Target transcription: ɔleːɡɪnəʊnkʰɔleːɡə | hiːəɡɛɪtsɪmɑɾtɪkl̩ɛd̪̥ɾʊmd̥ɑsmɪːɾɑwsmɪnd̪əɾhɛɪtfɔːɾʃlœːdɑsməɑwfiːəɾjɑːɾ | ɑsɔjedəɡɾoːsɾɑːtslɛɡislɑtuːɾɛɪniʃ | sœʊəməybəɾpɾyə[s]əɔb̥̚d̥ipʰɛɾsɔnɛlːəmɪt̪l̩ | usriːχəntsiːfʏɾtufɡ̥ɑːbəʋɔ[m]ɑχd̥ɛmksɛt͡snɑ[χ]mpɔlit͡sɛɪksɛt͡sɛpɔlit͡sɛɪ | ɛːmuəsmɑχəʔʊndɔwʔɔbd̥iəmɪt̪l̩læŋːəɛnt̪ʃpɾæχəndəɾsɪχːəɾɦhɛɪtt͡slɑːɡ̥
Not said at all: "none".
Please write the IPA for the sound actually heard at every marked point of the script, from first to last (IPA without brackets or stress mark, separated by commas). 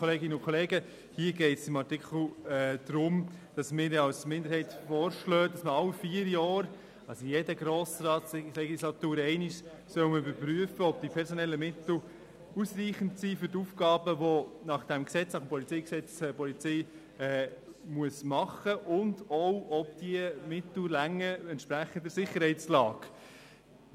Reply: f, n, χ